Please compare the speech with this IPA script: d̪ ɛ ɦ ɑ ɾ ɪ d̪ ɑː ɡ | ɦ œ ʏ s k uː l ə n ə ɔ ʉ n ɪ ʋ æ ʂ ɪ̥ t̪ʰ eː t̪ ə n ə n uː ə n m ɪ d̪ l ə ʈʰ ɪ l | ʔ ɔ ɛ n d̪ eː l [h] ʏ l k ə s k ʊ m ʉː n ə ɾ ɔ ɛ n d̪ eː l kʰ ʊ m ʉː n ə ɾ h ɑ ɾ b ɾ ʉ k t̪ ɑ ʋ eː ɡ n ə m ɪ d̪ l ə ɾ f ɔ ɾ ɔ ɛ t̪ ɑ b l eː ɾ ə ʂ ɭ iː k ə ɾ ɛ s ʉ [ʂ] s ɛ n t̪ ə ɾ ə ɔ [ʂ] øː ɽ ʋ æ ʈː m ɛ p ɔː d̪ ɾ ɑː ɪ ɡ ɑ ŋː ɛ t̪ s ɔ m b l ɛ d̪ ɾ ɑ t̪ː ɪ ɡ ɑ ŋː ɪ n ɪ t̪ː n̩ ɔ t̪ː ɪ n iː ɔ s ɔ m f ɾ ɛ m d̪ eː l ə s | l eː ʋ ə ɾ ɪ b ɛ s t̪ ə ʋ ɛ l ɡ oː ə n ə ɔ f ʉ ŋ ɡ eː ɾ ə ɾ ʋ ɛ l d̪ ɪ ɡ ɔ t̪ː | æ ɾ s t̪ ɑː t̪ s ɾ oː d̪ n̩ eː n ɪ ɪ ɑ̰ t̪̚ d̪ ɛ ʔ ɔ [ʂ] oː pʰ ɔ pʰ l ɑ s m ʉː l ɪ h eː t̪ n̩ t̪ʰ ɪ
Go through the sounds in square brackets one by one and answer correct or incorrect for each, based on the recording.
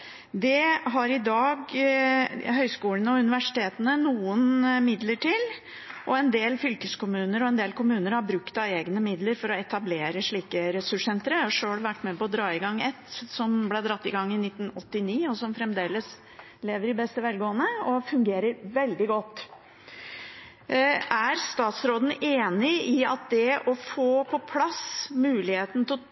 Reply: incorrect: f, correct, correct, incorrect: f

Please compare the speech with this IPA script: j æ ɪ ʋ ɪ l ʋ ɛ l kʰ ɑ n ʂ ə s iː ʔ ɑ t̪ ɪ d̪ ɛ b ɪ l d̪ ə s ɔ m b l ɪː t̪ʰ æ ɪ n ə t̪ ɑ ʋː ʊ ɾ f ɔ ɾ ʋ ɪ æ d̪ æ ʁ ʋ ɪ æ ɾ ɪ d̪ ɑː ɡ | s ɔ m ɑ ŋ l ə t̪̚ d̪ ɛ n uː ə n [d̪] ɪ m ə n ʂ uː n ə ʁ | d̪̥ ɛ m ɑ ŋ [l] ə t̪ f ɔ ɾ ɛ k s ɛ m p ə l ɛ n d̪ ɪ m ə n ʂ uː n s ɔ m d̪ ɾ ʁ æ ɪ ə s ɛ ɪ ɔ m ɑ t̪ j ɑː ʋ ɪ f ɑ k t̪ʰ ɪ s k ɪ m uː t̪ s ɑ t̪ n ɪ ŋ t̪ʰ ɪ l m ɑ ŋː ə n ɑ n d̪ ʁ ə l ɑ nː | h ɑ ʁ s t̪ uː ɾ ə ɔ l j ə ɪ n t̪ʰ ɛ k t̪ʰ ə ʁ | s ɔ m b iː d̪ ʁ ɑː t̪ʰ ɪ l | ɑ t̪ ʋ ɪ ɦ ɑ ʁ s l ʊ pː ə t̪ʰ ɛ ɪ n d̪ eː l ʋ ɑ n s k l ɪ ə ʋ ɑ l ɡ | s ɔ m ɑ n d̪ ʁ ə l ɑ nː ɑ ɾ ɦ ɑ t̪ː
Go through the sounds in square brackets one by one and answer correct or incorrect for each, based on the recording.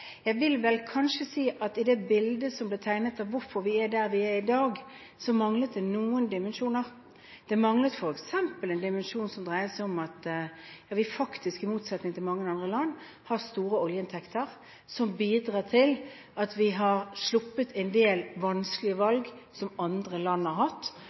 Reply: correct, correct

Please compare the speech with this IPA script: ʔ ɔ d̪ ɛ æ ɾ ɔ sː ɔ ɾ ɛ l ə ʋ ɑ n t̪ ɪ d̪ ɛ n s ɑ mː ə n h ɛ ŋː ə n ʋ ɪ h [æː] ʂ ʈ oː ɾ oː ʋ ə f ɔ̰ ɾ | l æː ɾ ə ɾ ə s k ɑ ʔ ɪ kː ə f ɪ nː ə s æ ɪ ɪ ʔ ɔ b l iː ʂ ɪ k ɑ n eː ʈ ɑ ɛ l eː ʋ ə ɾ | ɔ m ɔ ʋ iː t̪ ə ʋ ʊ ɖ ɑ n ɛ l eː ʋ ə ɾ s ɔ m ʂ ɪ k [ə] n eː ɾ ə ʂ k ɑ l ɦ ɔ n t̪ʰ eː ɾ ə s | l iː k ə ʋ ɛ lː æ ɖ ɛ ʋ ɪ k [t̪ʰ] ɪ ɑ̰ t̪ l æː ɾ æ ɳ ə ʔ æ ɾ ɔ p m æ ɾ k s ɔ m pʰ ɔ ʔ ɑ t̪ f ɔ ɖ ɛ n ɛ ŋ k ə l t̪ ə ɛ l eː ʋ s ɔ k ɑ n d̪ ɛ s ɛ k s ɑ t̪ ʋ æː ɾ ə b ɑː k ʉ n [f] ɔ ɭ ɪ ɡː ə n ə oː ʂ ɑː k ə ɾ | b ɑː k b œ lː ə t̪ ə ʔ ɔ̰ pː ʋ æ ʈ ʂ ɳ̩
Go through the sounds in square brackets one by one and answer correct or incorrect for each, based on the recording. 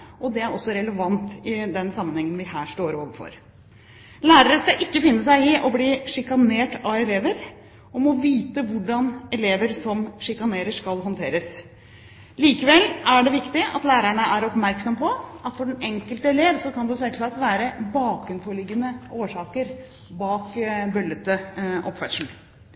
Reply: correct, incorrect: ɑ, incorrect: t̪, correct

